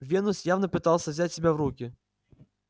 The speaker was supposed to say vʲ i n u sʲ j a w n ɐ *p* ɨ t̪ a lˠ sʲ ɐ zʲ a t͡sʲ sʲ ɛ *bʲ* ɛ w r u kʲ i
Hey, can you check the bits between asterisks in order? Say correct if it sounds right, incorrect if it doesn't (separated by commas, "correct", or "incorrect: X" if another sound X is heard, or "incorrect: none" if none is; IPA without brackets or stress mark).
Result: correct, correct